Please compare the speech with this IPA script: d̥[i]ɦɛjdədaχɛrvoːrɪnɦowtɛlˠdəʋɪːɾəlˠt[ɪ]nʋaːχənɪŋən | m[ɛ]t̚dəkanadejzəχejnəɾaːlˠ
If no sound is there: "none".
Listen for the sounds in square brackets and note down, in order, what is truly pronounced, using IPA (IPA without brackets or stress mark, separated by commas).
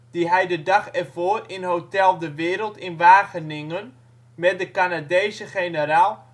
i, ɪ, ɛ